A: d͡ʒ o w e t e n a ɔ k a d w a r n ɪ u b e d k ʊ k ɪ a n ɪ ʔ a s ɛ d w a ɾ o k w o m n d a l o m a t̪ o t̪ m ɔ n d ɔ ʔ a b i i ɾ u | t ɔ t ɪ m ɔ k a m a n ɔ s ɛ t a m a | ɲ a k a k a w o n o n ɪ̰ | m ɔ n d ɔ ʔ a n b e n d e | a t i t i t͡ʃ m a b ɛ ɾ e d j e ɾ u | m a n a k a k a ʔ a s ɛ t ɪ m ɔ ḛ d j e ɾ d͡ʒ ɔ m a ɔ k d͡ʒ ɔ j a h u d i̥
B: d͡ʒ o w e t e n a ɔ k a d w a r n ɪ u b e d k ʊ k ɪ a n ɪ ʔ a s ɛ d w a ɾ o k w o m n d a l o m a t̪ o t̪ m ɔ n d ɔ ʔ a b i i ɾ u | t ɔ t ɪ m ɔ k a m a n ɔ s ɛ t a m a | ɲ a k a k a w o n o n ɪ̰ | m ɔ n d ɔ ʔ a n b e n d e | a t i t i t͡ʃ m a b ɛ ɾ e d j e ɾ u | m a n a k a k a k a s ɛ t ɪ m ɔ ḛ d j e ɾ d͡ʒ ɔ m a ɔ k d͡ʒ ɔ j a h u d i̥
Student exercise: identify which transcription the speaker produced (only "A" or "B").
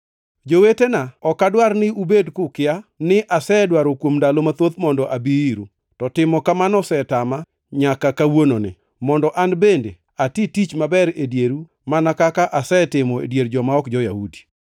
A